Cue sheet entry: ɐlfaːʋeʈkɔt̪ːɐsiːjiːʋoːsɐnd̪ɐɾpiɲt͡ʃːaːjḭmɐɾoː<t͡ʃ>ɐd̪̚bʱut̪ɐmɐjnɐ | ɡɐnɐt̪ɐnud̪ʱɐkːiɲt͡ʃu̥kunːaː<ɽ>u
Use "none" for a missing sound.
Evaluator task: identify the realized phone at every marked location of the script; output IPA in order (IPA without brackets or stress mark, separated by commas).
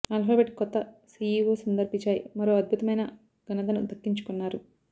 none, ɾ